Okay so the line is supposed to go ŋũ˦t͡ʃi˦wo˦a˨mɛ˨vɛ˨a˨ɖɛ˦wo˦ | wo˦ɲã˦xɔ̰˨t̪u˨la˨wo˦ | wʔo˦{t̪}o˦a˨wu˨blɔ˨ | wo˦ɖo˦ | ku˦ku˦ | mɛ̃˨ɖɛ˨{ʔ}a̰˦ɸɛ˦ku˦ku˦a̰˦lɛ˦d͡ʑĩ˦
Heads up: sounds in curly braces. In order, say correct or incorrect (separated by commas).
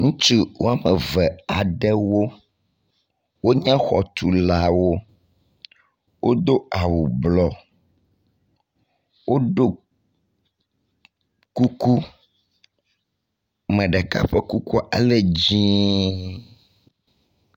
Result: incorrect, incorrect